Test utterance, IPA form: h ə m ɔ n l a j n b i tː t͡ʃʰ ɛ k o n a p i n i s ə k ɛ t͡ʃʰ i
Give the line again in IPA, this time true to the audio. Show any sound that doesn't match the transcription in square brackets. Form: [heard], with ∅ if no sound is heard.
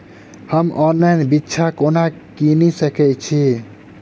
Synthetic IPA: h ə m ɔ n l a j n b i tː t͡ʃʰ [a] k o n a [k] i n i s ə k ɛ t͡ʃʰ i